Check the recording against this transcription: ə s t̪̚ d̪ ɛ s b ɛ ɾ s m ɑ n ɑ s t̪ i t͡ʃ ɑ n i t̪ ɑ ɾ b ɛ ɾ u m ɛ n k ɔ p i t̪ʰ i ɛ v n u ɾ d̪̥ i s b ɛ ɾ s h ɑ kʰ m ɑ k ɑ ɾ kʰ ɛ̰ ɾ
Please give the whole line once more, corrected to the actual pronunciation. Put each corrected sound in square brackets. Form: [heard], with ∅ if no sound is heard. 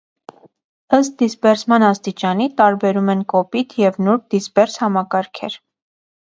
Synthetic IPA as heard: ə s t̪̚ d̪ [i] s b ɛ ɾ s m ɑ n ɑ s t̪ i t͡ʃ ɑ n i t̪ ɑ ɾ b ɛ ɾ u m ɛ n k ɔ p i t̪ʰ [j] ɛ v n u ɾ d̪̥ i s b ɛ ɾ s h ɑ [∅] m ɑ k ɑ ɾ kʰ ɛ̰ ɾ